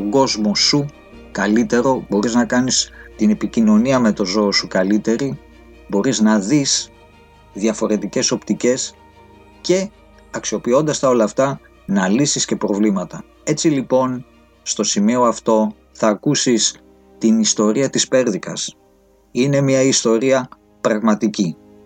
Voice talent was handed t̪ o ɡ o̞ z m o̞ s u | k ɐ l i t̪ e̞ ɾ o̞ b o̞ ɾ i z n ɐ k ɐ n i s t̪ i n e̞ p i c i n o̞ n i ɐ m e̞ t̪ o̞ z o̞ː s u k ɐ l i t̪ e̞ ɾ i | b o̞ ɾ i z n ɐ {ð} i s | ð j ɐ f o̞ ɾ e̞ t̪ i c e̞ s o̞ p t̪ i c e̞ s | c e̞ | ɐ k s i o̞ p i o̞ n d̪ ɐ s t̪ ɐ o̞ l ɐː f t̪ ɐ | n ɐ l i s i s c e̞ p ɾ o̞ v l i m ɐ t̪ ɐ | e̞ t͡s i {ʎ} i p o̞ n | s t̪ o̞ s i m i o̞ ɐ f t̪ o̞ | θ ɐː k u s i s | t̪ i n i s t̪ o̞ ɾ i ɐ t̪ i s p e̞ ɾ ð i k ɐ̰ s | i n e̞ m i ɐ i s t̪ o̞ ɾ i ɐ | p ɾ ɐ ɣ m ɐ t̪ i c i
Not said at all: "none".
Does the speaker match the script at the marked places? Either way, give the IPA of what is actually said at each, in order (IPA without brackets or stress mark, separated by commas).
ð, l